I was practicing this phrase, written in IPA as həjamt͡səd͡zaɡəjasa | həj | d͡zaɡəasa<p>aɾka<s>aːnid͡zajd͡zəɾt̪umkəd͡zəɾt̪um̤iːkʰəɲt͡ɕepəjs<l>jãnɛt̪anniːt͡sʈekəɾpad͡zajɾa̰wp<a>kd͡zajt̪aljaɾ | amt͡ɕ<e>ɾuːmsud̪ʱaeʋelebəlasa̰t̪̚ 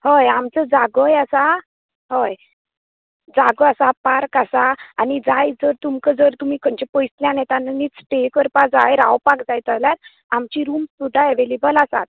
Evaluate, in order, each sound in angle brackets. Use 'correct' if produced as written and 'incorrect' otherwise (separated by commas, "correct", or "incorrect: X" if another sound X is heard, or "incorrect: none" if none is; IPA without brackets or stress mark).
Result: correct, correct, correct, correct, incorrect: i